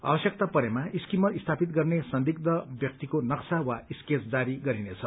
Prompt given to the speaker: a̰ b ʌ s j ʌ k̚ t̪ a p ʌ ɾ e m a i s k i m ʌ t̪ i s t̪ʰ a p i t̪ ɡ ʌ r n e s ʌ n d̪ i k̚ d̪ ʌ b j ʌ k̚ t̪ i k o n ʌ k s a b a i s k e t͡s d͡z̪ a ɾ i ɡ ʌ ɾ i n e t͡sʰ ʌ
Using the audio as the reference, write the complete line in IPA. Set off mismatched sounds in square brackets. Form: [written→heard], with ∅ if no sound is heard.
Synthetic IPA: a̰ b ʌ s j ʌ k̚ t̪ a p ʌ ɾ e m a i s k i m ʌ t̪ i s t̪ʰ a p i t̪ ɡ ʌ r n e s ʌ n d̪ i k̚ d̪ ʌ b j ʌ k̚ t̪ i k o n ʌ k s a [b→w] a i s k e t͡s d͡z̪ a ɾ i ɡ ʌ ɾ i n e t͡sʰ ʌ